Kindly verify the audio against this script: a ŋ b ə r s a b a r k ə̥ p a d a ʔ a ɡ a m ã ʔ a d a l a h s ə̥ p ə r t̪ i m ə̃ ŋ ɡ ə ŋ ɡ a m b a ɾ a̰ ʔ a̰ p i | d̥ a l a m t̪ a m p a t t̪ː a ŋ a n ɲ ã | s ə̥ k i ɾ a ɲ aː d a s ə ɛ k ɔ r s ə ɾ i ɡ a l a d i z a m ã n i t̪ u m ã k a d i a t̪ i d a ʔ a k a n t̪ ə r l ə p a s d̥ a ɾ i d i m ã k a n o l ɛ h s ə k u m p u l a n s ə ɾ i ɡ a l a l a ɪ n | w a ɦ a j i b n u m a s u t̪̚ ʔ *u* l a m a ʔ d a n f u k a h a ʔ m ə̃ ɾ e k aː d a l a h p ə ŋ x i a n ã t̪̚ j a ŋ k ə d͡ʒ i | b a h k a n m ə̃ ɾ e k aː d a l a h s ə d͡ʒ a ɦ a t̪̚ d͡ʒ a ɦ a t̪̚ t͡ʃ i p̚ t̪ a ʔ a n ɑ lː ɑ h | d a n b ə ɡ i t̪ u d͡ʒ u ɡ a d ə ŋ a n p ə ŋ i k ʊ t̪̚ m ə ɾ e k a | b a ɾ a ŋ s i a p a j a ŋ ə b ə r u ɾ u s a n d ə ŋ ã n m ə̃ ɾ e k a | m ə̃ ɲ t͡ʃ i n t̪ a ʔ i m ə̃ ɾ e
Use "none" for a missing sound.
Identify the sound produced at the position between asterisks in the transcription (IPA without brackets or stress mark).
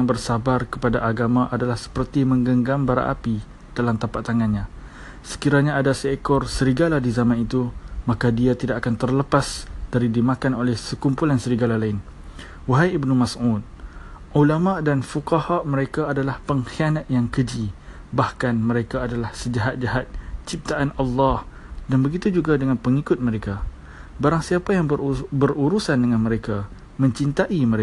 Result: u